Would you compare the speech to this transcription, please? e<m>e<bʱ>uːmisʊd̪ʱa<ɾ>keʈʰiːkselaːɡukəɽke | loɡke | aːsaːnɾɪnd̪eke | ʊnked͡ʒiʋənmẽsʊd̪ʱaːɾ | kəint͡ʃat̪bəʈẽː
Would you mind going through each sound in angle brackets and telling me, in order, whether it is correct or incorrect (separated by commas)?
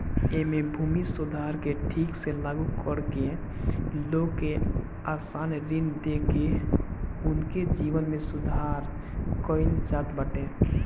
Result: correct, correct, correct